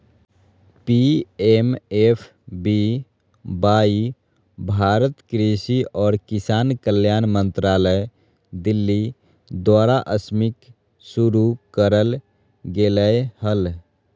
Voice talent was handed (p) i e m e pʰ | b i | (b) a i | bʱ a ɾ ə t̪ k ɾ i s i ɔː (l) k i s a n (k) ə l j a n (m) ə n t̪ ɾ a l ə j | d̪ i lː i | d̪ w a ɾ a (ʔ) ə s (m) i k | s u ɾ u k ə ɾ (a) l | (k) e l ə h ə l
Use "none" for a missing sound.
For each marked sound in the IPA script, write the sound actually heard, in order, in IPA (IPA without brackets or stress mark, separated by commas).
p, b, ɾ, k, m, ʔ, m, ə, ɡ